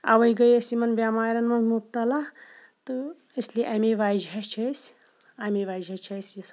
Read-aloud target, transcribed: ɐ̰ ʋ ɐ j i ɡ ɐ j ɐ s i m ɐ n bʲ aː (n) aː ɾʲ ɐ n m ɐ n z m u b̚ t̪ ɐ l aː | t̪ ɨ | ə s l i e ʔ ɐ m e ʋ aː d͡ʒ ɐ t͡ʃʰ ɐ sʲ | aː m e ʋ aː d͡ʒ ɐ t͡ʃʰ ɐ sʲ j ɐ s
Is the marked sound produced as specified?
no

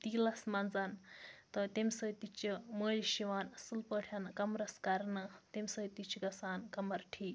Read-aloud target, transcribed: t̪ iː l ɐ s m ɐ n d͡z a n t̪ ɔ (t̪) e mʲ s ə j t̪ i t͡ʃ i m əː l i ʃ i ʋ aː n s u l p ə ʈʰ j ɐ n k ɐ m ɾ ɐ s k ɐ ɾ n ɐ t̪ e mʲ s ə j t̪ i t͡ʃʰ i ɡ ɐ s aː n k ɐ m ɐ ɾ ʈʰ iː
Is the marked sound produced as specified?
yes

